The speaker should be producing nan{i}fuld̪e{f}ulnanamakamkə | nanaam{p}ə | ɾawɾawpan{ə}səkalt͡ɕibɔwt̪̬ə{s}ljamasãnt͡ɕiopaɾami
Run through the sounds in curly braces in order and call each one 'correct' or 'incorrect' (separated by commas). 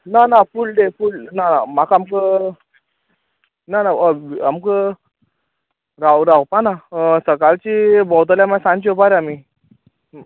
incorrect, correct, incorrect, incorrect, incorrect